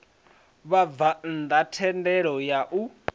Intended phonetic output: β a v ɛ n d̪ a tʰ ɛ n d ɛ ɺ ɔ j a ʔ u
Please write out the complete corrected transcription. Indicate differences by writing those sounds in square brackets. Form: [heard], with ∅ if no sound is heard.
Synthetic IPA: β a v [a] n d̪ a tʰ ɛ n d ɛ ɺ ɔ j a ʔ u